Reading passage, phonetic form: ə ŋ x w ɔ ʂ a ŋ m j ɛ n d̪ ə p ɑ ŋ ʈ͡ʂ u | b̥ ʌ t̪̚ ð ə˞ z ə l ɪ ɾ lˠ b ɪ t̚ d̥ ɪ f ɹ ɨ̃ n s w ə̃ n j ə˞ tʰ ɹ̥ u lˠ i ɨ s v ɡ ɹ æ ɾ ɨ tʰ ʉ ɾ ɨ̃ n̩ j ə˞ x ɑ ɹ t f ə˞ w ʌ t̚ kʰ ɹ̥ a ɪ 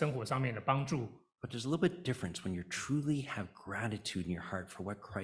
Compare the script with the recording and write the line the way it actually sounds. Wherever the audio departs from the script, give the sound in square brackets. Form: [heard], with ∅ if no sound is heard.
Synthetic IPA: ə ŋ x w ɔ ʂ [ɑ] ŋ m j ɛ n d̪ ə p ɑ ŋ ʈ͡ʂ u | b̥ ʌ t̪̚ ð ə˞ z ə l ɪ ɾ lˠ b ɪ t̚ d̥ ɪ f ɹ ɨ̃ n s w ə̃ n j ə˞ tʰ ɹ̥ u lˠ i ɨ [∅] v ɡ ɹ æ ɾ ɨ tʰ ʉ ɾ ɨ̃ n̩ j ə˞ [h] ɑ ɹ t f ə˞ w ʌ t̚ kʰ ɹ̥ a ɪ